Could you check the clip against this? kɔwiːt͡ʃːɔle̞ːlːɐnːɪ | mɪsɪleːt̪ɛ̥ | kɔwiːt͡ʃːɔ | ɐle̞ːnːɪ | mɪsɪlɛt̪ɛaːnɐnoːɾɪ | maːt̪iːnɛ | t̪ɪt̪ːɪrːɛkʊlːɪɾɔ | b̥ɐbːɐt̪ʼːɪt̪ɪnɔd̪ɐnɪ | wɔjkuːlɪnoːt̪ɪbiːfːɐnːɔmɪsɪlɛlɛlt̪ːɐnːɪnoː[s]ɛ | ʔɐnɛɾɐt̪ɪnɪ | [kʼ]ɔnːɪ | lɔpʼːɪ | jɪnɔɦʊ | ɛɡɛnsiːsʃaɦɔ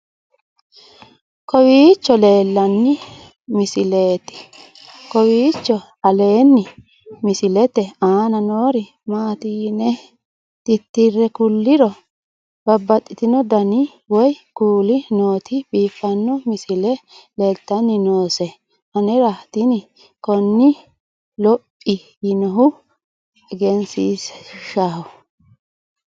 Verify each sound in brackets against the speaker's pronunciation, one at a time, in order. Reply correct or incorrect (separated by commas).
correct, incorrect